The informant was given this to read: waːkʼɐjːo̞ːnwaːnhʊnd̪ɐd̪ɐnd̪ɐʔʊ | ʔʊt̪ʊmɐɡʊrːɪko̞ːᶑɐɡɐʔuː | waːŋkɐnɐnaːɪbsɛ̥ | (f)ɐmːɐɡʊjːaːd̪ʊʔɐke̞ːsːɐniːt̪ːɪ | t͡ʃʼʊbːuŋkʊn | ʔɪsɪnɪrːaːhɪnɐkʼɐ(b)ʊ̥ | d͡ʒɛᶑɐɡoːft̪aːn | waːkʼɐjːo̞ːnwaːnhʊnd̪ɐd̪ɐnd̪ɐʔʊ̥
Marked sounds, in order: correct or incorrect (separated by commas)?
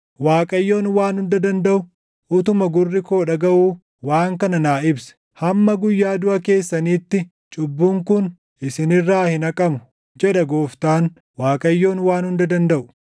incorrect, incorrect